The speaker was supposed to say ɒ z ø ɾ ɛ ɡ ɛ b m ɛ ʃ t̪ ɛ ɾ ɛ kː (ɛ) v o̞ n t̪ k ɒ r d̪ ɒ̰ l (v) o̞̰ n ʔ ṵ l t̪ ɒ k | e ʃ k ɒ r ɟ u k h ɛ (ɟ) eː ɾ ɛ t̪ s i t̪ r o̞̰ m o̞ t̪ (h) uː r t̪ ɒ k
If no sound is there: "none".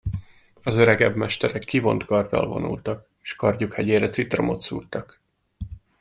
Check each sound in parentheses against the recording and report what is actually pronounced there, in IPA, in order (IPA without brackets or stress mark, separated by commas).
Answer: i, v, ɟ, s